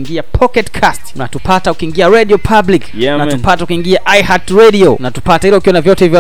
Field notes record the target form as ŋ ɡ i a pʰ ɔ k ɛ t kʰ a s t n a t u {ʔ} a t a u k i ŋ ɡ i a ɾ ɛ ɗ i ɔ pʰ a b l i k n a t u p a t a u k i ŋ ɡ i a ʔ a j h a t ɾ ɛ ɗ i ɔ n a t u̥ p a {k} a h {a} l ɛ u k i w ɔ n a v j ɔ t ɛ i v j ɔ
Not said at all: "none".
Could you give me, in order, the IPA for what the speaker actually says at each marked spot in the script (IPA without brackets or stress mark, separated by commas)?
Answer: p, t, i